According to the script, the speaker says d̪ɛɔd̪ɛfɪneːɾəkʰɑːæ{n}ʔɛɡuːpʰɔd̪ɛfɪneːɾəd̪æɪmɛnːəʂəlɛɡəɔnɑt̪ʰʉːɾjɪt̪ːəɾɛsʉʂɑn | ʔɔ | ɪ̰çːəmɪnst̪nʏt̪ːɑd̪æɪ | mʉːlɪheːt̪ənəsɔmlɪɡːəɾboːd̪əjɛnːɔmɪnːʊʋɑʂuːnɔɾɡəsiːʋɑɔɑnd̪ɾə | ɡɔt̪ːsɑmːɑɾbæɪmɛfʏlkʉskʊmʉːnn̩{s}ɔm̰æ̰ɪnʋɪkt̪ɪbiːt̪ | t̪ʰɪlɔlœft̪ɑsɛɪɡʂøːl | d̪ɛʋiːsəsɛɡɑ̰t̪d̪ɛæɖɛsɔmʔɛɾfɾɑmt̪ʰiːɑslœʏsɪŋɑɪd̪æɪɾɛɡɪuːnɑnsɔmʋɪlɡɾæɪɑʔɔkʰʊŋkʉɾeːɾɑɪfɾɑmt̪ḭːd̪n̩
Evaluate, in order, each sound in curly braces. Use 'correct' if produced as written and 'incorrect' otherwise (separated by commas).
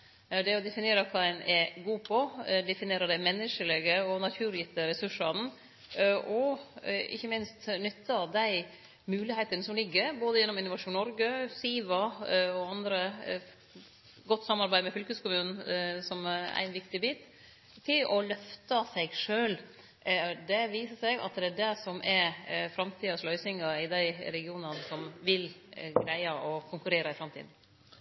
correct, correct